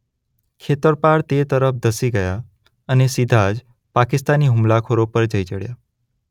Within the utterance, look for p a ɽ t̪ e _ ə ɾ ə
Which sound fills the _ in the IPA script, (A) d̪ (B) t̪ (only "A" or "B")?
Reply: B